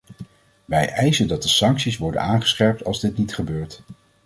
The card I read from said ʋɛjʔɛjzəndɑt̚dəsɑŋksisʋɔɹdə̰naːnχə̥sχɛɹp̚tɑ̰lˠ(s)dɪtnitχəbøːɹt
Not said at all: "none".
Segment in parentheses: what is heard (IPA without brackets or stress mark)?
z